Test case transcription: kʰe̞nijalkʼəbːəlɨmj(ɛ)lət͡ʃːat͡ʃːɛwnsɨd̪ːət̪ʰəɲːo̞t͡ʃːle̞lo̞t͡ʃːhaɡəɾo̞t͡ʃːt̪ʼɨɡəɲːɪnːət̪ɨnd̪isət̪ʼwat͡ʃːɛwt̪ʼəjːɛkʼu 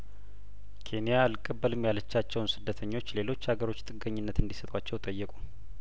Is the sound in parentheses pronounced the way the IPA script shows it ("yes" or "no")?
no